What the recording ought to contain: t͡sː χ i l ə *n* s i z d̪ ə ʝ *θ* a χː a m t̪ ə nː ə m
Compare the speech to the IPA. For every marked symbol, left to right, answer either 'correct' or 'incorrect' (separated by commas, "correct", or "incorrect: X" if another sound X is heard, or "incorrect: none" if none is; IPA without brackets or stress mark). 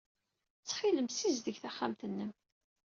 incorrect: m, correct